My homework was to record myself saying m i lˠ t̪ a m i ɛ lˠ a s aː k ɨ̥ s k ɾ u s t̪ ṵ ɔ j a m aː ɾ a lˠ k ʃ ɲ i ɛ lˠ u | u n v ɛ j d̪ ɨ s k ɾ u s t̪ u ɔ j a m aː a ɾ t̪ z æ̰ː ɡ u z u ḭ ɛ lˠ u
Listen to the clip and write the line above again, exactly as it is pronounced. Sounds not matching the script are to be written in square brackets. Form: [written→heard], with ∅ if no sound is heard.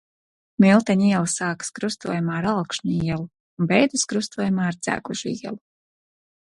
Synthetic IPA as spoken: m i lˠ t̪ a [m→ɲ] i ɛ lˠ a s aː k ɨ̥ s k ɾ u s t̪ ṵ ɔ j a m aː ɾ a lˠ k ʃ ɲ i ɛ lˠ u | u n [v→b] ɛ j d̪ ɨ s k ɾ u s t̪ u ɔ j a m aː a ɾ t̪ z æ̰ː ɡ u [z→ʒ] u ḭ ɛ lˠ u